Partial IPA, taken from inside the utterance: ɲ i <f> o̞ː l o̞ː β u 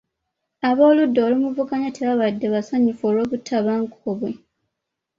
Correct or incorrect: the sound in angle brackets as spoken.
correct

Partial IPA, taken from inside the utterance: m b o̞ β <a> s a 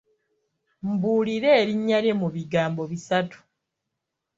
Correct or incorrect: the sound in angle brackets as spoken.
incorrect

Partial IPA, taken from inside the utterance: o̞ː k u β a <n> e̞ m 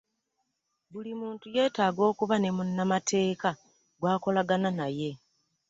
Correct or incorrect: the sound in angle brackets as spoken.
correct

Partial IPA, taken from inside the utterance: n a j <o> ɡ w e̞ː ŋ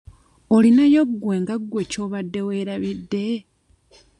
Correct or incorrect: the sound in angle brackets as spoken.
correct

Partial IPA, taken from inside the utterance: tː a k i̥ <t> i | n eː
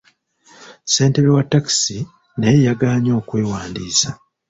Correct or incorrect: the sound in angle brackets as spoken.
incorrect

